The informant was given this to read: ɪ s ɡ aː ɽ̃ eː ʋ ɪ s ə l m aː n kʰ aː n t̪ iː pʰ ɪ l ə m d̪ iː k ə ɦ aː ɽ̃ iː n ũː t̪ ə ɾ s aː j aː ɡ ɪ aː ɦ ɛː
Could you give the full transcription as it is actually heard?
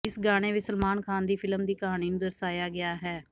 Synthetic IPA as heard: ɪ s ɡ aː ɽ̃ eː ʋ ɪ s ə l m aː n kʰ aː n d̪ iː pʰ ɪ l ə m d̪ iː k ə ɦ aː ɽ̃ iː n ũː d̪ ə ɾ s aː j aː ɡ ɪ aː ɦ ɛː